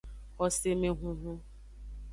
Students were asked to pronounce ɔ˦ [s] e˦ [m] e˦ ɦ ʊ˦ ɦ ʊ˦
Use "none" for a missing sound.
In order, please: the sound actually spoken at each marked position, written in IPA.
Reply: s, m

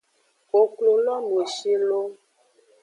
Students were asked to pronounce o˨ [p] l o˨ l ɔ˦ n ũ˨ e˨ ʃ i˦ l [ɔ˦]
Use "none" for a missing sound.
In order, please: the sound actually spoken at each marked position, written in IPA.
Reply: k, o˦

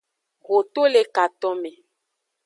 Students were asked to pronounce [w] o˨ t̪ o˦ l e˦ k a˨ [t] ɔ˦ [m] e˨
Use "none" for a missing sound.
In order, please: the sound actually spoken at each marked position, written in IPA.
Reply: ɣ, t, m

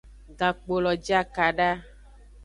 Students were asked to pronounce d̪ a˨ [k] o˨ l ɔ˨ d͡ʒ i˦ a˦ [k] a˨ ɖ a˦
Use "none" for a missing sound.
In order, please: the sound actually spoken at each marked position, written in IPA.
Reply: k͡p, k

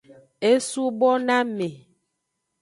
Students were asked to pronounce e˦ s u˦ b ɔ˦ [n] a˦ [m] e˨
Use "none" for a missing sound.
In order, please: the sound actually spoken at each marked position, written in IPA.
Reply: n, m

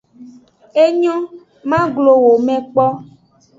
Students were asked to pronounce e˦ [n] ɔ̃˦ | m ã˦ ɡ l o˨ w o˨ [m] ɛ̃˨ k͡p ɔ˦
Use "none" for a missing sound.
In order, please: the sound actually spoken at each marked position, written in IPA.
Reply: ɲ, m

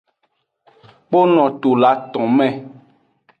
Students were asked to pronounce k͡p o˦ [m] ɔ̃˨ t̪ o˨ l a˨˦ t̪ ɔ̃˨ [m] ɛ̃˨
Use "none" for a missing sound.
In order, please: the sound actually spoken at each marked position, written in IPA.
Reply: n, m

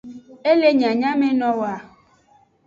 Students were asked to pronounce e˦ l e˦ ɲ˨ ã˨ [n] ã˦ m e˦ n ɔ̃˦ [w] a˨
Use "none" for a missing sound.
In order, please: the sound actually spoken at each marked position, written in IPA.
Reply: ɲ, w

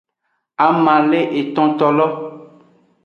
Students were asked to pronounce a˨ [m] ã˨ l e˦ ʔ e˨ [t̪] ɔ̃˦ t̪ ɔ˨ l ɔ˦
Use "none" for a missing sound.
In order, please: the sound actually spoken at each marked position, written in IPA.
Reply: m, t̪

